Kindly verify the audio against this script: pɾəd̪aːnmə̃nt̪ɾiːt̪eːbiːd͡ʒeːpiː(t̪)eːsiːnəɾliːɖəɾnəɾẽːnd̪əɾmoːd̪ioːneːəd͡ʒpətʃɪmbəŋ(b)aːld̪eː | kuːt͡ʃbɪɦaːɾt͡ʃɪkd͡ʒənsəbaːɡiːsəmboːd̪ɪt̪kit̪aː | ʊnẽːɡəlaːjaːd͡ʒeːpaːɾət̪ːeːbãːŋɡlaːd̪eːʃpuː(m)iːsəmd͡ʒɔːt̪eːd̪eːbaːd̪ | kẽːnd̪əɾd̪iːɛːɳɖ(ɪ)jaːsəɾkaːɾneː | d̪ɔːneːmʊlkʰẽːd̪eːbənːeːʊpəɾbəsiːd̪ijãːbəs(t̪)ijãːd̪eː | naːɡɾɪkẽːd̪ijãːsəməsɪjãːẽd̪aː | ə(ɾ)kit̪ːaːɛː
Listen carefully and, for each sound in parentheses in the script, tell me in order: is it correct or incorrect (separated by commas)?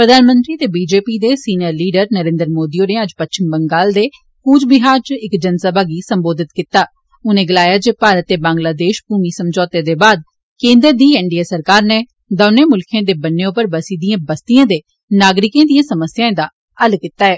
incorrect, incorrect, correct, incorrect, correct, incorrect